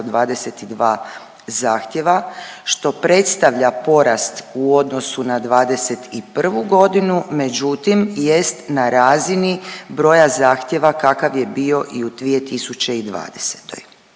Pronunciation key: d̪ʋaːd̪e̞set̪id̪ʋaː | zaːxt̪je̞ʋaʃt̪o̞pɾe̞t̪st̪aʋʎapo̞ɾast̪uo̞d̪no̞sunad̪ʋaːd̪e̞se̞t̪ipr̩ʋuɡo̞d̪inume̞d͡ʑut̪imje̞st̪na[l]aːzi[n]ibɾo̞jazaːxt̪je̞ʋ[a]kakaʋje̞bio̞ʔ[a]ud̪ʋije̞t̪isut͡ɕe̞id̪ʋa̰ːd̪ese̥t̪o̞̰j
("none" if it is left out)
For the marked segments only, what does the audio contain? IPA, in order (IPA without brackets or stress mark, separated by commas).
ɾ, n, a, i